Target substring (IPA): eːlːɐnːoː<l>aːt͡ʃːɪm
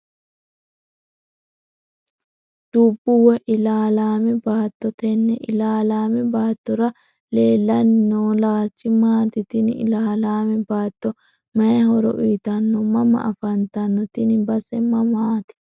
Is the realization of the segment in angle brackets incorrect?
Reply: no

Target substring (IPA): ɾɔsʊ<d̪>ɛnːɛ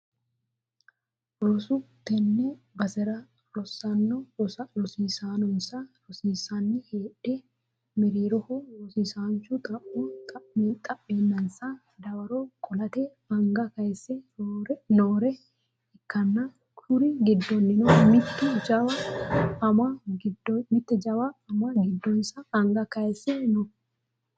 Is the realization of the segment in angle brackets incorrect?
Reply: yes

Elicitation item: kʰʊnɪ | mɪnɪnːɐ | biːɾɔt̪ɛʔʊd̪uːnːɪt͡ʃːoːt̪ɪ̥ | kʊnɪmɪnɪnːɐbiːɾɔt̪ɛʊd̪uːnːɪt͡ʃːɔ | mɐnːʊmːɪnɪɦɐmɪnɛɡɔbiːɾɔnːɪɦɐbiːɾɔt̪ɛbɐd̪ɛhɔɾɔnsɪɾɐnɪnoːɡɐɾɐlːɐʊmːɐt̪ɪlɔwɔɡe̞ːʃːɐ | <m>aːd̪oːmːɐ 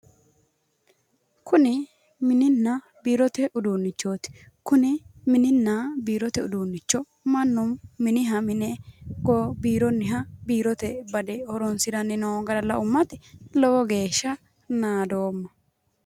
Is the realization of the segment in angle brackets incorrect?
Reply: yes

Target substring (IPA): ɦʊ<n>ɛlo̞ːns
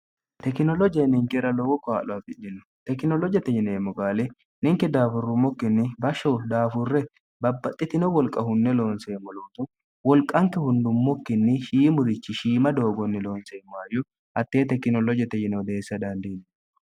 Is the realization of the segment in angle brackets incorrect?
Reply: yes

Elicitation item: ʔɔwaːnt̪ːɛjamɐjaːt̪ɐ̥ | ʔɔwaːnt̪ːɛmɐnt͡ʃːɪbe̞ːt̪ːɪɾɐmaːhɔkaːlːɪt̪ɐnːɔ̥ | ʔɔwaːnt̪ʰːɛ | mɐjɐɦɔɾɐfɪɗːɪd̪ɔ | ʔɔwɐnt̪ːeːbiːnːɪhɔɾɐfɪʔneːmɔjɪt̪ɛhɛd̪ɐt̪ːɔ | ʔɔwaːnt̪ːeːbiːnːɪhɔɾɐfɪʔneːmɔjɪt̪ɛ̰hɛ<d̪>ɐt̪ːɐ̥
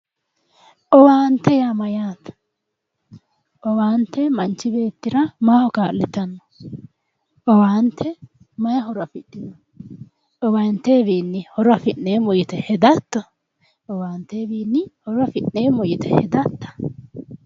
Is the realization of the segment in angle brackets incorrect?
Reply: no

